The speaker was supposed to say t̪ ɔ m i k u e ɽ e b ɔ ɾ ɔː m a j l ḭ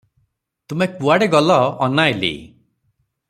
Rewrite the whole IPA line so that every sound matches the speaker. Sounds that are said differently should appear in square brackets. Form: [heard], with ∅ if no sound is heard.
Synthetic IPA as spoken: t̪ [u] m [e] k u [a] ɽ e [ɡ] ɔ [l] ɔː [n] a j l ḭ